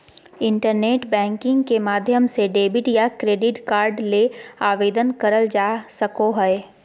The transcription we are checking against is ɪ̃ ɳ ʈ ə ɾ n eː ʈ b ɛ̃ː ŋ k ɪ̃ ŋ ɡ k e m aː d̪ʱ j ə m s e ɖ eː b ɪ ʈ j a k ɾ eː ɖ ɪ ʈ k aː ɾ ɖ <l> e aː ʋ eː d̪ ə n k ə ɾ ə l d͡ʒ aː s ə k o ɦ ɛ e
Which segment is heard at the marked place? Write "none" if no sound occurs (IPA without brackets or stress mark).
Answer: l